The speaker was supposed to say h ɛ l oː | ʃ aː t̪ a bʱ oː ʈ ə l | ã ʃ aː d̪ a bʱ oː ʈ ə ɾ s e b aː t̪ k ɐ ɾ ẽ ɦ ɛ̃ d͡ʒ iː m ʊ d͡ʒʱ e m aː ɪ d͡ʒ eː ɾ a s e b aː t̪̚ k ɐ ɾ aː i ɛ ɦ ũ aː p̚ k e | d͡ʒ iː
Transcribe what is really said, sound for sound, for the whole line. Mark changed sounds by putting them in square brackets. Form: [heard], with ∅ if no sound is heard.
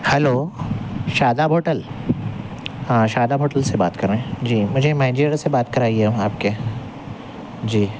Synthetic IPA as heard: h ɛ l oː | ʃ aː [d̪] a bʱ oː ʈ ə l | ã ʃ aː d̪ a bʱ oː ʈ ə [l] s e b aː t̪ k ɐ ɾ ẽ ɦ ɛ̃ d͡ʒ iː m ʊ d͡ʒʱ e m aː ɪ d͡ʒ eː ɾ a s e b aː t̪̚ k ɐ ɾ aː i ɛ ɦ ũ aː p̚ k e | d͡ʒ iː